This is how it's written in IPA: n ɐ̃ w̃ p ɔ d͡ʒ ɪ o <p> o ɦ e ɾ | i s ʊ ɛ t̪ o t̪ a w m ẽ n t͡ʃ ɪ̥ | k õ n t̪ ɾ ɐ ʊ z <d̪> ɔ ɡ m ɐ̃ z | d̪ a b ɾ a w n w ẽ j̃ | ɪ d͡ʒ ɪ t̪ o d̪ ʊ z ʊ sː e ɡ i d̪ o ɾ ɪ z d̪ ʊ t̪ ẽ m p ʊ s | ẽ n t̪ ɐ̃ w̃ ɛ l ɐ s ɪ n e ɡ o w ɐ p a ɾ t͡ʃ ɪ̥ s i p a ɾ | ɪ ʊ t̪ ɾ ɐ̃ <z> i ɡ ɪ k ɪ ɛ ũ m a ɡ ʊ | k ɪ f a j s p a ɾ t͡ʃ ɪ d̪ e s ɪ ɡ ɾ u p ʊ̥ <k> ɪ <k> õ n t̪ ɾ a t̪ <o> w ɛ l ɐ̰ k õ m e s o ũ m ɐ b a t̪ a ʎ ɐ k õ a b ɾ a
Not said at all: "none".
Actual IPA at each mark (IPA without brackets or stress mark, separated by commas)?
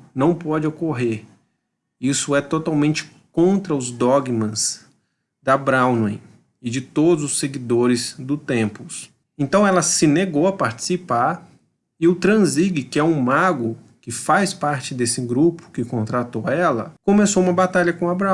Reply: k, d̪, z, k, k, o